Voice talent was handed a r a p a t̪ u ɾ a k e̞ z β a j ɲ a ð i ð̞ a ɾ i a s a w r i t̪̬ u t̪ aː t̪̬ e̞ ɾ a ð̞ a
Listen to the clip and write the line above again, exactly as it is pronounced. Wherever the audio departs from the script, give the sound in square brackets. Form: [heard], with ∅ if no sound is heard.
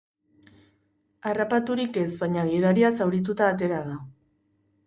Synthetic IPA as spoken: a r a p a t̪ u ɾ [i] k e̞ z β a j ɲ a [ɣ] i ð̞ a ɾ i a s a w [ɾ] i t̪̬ u t̪ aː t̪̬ e̞ ɾ a ð̞ a